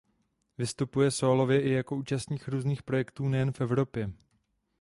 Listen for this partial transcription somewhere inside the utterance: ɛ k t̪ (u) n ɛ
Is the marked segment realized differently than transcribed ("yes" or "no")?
yes